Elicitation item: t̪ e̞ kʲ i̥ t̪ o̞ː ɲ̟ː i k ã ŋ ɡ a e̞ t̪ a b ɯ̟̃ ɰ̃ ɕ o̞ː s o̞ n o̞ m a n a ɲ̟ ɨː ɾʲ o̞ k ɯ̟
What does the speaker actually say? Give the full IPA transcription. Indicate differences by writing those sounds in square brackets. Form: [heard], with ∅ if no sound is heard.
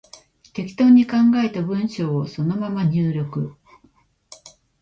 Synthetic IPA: t̪ e̞ kʲ i̥ t̪ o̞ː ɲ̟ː i k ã ŋ ɡ a e̞ t̪ a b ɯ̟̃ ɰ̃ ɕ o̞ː s o̞ n o̞ m a [m] a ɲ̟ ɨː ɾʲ o̞ k ɯ̟

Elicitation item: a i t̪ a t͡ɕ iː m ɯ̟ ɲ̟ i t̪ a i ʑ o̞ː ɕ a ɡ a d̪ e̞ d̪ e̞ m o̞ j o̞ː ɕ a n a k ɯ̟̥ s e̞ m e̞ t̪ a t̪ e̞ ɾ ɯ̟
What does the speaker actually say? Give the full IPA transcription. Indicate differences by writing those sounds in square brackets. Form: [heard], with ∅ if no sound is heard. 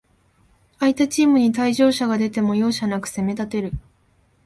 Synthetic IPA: a i t̪ a t͡ɕ iː m ɯ̟ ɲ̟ i t̪ a i ʑ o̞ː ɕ a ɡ a d̪ e̞ [t̪] e̞ m o̞ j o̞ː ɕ a n a k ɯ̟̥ s e̞ m e̞ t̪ a t̪ e̞ ɾ ɯ̟

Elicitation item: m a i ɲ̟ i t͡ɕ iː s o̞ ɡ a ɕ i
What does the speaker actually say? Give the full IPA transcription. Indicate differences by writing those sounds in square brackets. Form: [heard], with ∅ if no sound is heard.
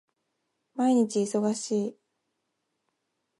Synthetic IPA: m a i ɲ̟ i t͡ɕ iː s o̞ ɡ a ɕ [iː]

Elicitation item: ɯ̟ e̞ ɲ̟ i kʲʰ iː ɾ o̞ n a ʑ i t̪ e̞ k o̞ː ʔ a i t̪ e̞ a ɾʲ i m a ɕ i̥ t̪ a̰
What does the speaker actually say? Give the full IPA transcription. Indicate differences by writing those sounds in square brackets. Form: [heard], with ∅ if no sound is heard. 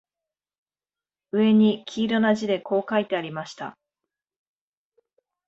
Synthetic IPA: ɯ̟ e̞ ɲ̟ i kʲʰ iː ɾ o̞ n a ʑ i [d̪] e̞ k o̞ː [k] a i t̪ e̞ a ɾʲ i m a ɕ i̥ t̪ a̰

